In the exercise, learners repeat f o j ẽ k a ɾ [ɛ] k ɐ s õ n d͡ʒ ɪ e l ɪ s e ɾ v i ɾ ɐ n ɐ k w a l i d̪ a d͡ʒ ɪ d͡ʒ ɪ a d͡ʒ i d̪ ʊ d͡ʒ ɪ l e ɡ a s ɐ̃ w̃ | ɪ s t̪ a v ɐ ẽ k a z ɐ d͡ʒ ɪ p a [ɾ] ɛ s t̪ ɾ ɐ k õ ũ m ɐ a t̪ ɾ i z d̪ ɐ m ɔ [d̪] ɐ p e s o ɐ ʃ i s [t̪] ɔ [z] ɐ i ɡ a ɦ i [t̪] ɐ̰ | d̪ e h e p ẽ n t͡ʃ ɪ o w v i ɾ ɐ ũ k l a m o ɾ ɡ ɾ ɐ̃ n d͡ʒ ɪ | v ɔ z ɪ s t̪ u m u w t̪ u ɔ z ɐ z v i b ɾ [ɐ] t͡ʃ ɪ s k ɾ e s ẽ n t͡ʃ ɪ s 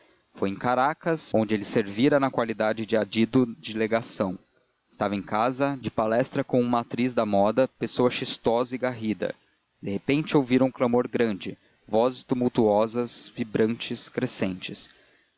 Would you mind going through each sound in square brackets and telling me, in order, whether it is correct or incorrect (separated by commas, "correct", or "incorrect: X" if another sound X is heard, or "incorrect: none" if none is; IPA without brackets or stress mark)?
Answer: incorrect: a, incorrect: l, correct, correct, correct, incorrect: d̪, incorrect: ɐ̃